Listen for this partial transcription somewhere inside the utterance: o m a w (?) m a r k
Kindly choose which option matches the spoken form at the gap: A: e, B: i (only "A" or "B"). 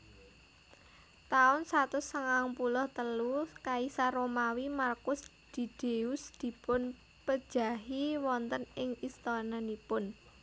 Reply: B